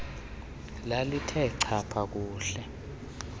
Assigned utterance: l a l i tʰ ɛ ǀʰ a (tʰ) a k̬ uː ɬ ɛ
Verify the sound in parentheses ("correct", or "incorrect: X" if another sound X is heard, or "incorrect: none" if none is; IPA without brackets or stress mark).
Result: incorrect: pʰ